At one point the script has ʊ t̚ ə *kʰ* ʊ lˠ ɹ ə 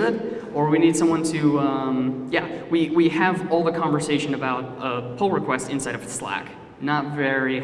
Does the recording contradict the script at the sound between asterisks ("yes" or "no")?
yes